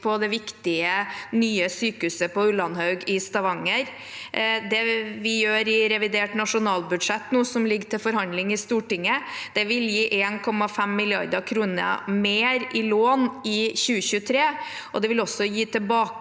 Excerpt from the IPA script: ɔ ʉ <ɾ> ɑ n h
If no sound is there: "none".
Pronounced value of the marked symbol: l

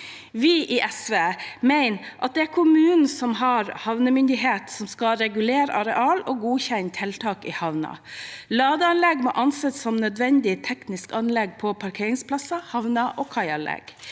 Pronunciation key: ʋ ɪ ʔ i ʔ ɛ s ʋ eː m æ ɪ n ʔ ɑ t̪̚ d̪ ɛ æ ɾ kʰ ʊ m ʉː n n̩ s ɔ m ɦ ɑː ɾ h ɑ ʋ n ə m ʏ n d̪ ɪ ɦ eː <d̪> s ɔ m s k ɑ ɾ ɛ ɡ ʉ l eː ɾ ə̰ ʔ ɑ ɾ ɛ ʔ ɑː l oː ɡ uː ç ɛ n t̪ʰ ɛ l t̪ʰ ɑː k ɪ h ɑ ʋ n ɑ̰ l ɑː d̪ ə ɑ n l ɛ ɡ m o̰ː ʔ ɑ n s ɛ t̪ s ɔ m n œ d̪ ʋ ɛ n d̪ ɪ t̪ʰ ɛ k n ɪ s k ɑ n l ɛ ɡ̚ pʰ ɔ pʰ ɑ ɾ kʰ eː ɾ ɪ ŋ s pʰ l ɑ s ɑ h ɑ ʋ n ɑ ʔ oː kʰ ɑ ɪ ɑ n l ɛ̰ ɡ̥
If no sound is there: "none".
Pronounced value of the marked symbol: t̪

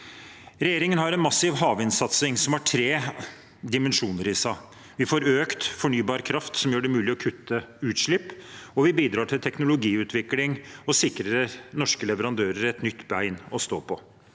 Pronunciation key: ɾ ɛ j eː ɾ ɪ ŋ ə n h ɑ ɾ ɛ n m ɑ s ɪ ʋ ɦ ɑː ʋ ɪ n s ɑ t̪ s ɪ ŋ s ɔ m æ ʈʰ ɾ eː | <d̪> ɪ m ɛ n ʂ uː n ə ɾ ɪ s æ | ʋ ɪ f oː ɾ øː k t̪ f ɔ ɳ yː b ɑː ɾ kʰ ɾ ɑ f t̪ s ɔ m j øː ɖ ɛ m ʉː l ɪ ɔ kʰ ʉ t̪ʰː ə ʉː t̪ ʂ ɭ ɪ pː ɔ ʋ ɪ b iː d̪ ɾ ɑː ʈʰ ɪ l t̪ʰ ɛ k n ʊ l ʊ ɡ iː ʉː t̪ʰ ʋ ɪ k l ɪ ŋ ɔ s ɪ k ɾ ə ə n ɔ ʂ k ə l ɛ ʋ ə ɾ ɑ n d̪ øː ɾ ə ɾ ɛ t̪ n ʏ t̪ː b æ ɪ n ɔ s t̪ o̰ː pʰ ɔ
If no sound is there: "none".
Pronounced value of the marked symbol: d̪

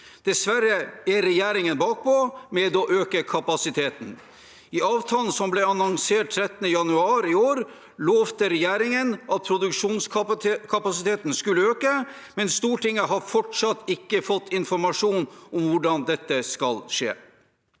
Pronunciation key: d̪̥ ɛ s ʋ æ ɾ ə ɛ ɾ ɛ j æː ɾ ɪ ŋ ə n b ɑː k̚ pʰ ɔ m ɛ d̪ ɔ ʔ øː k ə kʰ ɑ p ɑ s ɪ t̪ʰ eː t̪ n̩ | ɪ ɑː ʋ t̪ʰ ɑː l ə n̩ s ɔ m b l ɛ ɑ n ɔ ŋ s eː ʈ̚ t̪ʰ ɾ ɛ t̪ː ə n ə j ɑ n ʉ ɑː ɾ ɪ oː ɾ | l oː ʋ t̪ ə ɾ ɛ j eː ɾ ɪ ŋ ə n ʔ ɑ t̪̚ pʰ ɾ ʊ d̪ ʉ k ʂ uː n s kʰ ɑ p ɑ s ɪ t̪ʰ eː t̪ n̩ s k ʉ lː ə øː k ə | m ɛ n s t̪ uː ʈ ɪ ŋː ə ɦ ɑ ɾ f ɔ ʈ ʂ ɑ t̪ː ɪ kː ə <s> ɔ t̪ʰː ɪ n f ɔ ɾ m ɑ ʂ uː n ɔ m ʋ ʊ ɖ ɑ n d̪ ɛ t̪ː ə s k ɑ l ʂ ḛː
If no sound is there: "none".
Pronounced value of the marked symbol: f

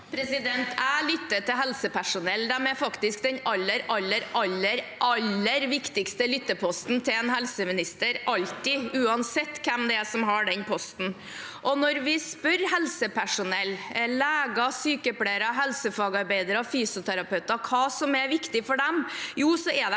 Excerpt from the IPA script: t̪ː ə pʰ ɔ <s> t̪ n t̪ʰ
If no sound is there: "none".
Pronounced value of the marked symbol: s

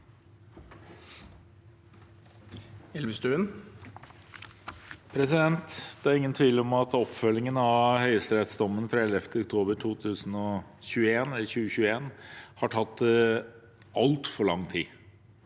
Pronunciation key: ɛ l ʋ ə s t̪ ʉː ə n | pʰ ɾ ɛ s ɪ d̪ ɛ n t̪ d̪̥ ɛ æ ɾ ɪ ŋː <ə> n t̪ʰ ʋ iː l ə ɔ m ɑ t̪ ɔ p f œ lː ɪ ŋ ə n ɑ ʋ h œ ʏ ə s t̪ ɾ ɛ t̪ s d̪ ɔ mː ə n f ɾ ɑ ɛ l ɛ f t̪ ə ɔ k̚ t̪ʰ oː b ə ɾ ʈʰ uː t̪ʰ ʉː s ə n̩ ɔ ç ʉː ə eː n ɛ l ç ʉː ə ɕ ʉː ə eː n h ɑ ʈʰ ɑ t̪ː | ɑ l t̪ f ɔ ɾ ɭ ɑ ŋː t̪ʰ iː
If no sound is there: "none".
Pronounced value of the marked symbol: ə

